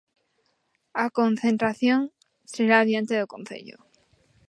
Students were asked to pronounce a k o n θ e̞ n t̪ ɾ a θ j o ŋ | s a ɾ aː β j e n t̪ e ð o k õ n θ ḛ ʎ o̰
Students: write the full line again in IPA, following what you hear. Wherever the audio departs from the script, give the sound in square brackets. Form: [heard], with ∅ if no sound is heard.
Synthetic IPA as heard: a k o n θ e̞ n t̪ ɾ a θ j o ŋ | s [e] ɾ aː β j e n t̪ e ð o k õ n θ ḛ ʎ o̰